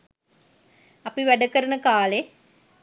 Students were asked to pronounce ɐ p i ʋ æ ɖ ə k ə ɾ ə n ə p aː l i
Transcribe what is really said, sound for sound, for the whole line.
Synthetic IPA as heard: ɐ p i ʋ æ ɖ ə k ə ɾ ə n ə k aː l e